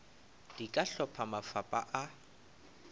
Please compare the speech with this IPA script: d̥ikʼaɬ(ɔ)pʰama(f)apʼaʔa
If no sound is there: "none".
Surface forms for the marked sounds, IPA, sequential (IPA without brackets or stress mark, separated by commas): ɔ, f